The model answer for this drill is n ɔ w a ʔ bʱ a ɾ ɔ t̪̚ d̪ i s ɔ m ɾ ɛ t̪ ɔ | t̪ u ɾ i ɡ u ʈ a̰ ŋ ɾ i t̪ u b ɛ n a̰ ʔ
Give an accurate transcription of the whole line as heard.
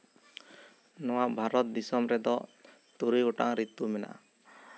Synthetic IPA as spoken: n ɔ w a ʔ bʱ a ɾ ɔ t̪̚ d̪ i s ɔ m ɾ ɛ d̪ ɔ | t̪ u ɾ i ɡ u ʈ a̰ ŋ ɾ i t̪ u m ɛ n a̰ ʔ